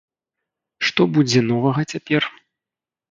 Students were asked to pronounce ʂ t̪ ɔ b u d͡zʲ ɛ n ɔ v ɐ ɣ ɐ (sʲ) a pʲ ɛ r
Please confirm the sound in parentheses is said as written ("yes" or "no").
no